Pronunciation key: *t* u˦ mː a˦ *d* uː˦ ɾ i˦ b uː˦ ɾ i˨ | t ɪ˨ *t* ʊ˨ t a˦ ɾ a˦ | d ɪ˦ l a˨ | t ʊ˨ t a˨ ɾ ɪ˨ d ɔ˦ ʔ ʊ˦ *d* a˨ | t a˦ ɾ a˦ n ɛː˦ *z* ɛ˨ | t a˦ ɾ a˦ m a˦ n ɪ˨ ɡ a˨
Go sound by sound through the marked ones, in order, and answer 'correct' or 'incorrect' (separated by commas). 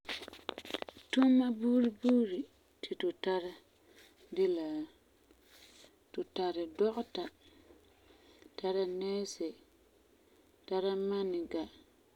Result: correct, incorrect, correct, incorrect, incorrect